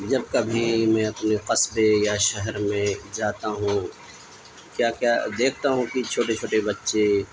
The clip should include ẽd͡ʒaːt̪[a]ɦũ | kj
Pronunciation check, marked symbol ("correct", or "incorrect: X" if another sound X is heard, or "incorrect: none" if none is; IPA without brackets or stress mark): correct